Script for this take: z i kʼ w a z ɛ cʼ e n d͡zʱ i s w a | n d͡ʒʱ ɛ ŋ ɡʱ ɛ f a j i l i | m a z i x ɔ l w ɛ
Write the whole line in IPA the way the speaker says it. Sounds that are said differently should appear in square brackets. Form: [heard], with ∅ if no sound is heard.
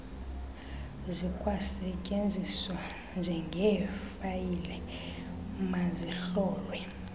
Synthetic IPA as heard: z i kʼ w a [s] ɛ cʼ e n d͡zʱ i s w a | n d͡ʒʱ ɛ ŋ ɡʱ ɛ f a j i l [ɛ] | m a z i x [ɔː] l w ɛ